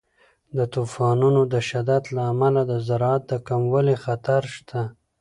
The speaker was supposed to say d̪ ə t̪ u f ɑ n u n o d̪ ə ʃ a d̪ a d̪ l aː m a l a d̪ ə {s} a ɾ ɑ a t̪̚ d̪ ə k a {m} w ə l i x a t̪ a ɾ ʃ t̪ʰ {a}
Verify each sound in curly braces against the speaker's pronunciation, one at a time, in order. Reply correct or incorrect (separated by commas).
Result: incorrect, correct, correct